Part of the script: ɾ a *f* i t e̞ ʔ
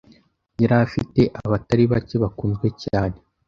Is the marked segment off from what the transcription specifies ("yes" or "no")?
no